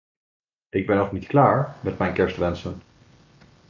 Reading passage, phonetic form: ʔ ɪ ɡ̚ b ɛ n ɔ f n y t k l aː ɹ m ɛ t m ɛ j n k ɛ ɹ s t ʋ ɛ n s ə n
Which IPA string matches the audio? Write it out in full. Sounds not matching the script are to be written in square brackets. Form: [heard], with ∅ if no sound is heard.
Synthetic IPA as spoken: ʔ ɪ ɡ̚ b ɛ n ɔ [χ] n [i] t k l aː ɹ m ɛ t m ɛ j n k ɛ ɹ s t ʋ ɛ n s ə n